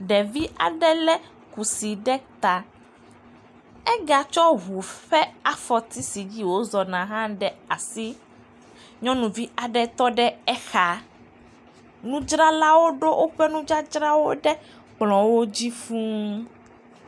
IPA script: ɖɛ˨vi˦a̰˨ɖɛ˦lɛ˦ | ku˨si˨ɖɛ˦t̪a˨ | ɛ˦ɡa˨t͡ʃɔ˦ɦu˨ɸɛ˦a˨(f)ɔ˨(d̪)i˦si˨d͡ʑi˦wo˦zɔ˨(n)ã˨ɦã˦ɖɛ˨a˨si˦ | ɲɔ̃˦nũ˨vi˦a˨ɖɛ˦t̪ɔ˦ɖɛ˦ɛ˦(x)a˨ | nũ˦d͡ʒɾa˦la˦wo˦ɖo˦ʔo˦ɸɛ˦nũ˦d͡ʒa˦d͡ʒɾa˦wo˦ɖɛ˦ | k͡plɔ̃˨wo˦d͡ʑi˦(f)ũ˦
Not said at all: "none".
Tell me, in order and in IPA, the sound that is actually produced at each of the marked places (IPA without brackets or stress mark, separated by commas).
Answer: f, t̪, n, x, f